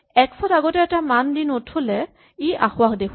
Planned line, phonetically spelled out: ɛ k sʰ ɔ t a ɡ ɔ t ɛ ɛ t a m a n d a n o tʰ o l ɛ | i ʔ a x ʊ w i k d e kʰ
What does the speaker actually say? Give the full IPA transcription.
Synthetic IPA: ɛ k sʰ ɔ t a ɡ ɔ t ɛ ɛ t a m a n d i n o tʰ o l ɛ | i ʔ a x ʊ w a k d e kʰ